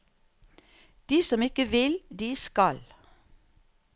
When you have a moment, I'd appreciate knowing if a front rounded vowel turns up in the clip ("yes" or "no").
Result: no